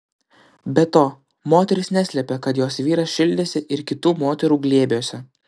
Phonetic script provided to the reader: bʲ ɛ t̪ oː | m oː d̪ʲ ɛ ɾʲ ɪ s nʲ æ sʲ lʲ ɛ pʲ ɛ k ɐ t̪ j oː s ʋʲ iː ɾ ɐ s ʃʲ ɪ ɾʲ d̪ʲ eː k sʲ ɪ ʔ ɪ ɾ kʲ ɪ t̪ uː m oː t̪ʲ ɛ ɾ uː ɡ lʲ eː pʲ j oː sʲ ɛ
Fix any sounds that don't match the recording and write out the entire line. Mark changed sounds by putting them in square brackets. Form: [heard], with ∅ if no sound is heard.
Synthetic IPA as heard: bʲ ɛ t̪ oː | m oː [t̪ʲ] ɛ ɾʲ ɪ s nʲ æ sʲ lʲ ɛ pʲ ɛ k ɐ t̪ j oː s ʋʲ iː ɾ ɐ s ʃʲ ɪ [lʲ] d̪ʲ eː [∅] sʲ ɪ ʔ ɪ ɾ kʲ ɪ t̪ uː m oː t̪ʲ ɛ ɾ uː ɡ lʲ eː [bʲ] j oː sʲ ɛ

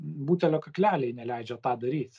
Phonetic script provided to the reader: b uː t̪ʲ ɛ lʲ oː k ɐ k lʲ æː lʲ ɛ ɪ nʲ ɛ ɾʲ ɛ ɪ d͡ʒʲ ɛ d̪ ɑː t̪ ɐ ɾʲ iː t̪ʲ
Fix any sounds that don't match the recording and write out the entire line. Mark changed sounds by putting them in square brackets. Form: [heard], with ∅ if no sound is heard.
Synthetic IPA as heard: b uː t̪ʲ ɛ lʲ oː k ɐ k lʲ æː lʲ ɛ ɪ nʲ ɛ [lʲ] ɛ ɪ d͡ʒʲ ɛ [t̪] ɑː [d̪] ɐ ɾʲ iː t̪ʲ

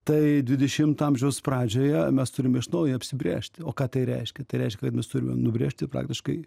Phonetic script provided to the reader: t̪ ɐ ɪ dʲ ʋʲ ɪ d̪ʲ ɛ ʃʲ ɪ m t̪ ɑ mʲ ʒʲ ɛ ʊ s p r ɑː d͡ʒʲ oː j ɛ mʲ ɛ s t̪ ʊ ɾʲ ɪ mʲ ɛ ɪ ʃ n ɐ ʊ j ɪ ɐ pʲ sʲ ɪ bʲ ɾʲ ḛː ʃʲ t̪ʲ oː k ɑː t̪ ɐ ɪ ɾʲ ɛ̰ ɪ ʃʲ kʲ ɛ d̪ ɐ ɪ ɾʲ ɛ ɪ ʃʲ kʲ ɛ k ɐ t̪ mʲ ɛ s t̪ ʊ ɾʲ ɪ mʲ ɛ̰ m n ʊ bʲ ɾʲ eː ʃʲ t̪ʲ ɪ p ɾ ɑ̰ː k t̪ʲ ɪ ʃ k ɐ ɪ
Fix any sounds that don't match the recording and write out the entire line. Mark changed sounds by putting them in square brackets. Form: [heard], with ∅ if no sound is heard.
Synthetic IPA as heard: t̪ ɐ ɪ dʲ ʋʲ ɪ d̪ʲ ɛ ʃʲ ɪ m t̪ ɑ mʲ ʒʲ ɛ ʊ s p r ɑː d͡ʒʲ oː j ɛ mʲ ɛ s t̪ ʊ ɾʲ ɪ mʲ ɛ ɪ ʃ n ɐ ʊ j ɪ ɐ pʲ sʲ ɪ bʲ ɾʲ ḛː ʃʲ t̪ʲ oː k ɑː t̪ ɐ ɪ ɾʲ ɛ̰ ɪ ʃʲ kʲ ɛ [t̪] ɐ ɪ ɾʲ ɛ ɪ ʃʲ kʲ ɛ k ɐ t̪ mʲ ɛ s t̪ ʊ ɾʲ ɪ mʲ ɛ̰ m n ʊ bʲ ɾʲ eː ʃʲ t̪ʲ ɪ p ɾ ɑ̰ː k t̪ʲ ɪ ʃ k ɐ ɪ

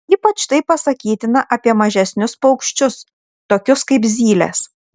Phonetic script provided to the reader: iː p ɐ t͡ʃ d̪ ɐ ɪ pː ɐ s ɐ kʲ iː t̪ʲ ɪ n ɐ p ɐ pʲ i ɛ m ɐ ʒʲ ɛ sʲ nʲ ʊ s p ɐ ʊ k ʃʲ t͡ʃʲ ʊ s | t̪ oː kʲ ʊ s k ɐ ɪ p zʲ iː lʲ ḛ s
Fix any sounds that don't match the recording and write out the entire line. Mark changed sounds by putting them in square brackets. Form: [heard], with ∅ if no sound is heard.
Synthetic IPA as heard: iː p ɐ t͡ʃ [t̪] ɐ ɪ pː ɐ s ɐ kʲ iː t̪ʲ ɪ n ɐ [ʔ] ɐ pʲ i ɛ m ɐ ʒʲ ɛ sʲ nʲ ʊ s p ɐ ʊ k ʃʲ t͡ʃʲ ʊ s | t̪ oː kʲ ʊ s k ɐ ɪ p zʲ iː lʲ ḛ s

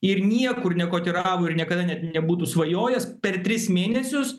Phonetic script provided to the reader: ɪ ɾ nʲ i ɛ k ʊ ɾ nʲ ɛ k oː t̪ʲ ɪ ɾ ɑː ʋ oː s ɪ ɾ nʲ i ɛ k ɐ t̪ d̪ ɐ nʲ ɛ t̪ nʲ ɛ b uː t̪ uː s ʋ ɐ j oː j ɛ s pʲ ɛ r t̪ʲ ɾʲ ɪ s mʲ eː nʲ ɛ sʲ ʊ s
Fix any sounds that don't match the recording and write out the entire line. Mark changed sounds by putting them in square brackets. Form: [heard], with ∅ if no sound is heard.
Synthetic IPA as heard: ɪ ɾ nʲ i ɛ k ʊ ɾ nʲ ɛ k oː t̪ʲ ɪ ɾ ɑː ʋ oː [∅] ɪ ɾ nʲ i ɛ k ɐ [∅] d̪ ɐ nʲ ɛ t̪ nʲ ɛ b uː t̪ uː s ʋ ɐ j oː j ɛ s pʲ ɛ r t̪ʲ ɾʲ ɪ s mʲ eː nʲ ɛ sʲ ʊ s

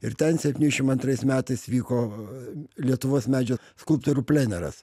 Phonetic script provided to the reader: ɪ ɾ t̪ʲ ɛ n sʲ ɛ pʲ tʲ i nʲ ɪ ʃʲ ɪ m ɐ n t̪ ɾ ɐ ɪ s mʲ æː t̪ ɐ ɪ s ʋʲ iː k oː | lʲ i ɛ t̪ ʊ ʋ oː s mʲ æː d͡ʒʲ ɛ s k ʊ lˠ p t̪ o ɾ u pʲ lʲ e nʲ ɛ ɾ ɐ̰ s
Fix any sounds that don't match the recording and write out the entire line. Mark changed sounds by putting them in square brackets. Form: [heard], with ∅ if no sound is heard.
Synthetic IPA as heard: ɪ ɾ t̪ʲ ɛ n sʲ ɛ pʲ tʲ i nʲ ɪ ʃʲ ɪ m ɐ n t̪ ɾ ɐ ɪ s mʲ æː t̪ ɐ ɪ s ʋʲ iː k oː | lʲ i ɛ t̪ ʊ ʋ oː s mʲ æː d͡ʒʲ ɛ s k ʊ lˠ p t̪ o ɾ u pʲ lʲ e nʲ ɛ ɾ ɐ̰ s

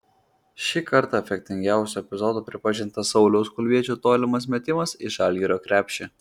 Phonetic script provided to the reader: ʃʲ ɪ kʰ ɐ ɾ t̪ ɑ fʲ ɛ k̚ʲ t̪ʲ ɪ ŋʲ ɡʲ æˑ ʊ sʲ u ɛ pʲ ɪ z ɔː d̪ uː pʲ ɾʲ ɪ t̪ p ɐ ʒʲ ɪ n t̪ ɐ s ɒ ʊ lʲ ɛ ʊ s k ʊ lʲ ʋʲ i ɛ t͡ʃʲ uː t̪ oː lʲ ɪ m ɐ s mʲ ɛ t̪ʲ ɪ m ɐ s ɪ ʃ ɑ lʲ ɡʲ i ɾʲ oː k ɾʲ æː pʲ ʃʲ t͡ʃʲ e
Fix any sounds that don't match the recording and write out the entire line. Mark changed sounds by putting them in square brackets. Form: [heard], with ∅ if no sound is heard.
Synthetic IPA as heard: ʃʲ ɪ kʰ ɐ ɾ t̪ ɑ fʲ ɛ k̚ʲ t̪ʲ ɪ ŋʲ ɡʲ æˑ ʊ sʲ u ɛ pʲ ɪ z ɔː d̪ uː pʲ ɾʲ ɪ [∅] p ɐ ʒʲ ɪ n t̪ ɐ s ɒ ʊ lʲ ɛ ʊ s k ʊ lʲ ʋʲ i ɛ t͡ʃʲ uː t̪ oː lʲ ɪ m ɐ s mʲ ɛ t̪ʲ ɪ m ɐ s ɪ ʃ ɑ lʲ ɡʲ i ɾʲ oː k ɾʲ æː pʲ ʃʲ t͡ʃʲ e

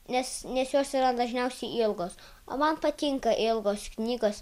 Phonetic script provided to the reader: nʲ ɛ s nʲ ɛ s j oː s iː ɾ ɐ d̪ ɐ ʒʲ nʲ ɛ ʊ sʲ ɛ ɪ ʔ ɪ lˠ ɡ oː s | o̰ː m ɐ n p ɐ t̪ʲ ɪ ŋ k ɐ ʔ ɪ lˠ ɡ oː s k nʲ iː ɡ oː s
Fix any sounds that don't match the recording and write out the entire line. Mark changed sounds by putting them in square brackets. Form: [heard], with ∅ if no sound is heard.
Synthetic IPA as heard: nʲ ɛ s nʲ ɛ s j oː s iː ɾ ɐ d̪ ɐ ʒʲ nʲ ɛ ʊ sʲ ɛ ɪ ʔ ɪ lˠ ɡ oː s | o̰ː m ɐ n p ɐ t̪ʲ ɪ ŋ k ɐ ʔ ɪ lˠ ɡ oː s k nʲ iː ɡ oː s

